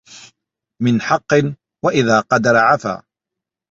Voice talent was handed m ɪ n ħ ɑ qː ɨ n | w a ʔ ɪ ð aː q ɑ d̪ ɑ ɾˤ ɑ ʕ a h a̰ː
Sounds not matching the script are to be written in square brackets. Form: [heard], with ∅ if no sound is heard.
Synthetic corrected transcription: m ɪ n ħ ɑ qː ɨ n | w a ʔ ɪ ð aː q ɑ d̪ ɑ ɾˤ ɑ ʕ a [f] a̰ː